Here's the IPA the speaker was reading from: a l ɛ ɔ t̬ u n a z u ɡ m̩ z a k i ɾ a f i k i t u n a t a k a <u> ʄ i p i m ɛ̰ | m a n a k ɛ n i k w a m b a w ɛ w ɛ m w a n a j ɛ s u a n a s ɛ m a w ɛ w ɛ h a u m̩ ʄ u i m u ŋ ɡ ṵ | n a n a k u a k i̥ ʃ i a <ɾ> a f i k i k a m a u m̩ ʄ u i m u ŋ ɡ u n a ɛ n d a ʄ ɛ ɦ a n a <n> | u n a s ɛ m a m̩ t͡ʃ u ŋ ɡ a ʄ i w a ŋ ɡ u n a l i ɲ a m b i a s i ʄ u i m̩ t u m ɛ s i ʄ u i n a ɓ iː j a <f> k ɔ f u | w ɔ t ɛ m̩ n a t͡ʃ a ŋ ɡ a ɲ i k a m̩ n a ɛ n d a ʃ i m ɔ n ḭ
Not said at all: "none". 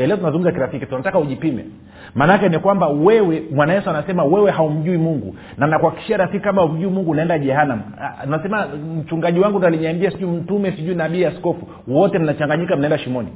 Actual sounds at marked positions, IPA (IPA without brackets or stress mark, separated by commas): u, ɾ, m, s